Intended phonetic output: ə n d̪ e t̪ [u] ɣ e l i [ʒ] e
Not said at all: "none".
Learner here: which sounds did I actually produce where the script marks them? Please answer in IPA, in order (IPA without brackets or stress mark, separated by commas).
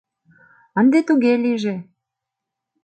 u, ʒ